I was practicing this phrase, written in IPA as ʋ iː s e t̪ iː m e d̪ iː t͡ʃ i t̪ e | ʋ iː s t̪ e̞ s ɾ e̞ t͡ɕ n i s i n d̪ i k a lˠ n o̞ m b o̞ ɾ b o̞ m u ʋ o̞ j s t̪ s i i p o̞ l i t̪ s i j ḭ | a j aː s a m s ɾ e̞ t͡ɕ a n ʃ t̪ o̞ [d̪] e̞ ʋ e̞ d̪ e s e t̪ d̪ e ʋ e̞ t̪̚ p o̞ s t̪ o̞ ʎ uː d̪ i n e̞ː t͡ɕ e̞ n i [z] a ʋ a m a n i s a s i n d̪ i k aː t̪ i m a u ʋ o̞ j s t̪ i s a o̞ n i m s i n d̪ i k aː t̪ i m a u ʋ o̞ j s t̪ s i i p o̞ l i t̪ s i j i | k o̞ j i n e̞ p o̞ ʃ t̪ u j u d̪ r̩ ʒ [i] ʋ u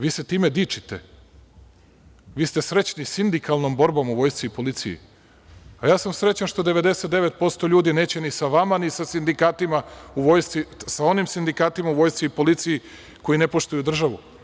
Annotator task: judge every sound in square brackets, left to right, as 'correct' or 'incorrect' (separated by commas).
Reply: correct, incorrect, incorrect